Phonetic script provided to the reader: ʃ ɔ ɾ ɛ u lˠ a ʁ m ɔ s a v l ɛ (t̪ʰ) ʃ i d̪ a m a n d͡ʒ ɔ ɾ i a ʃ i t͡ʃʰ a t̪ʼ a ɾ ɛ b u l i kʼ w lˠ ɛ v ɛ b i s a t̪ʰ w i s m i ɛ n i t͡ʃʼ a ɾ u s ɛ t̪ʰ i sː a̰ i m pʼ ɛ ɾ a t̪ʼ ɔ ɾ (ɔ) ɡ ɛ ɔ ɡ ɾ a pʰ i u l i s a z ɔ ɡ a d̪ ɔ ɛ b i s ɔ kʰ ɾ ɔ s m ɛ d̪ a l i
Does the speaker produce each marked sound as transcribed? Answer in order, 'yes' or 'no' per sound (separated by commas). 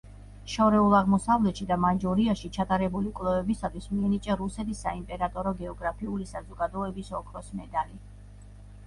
no, yes